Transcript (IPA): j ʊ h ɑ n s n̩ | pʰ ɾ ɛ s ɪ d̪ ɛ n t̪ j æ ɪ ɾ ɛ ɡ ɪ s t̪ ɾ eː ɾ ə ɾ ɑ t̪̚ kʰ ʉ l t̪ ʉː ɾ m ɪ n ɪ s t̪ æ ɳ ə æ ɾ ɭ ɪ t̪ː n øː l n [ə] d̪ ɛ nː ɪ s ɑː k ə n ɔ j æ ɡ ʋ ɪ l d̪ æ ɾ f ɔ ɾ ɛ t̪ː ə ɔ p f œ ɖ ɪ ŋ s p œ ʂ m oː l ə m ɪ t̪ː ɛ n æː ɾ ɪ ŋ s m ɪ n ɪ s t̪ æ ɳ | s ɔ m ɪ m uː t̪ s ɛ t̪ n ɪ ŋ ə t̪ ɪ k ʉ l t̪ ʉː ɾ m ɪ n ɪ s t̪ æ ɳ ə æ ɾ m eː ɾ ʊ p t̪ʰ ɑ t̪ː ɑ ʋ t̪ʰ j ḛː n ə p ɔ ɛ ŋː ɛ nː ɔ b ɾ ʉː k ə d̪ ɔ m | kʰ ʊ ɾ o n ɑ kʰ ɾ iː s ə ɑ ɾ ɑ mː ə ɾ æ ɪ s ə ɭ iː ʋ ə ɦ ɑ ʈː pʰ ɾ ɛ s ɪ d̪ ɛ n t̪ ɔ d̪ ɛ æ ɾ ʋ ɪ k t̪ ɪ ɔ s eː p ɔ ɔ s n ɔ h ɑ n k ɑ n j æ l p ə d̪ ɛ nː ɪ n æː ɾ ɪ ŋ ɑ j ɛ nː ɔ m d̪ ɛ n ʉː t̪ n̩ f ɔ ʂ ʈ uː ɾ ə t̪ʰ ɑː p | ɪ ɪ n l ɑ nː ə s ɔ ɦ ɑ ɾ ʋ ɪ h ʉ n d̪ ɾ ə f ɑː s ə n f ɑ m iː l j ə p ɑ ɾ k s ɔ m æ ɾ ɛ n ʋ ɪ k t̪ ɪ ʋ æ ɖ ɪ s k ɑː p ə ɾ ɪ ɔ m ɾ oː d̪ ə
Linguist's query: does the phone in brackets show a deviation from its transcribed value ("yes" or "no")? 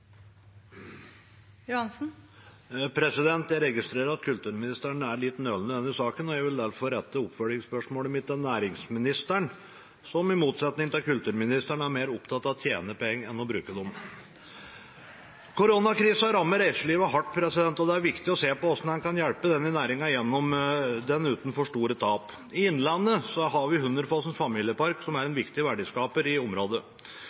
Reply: no